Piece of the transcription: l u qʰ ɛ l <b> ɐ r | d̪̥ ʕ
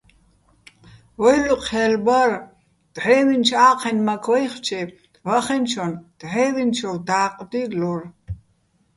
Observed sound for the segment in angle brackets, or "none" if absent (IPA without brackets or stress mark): b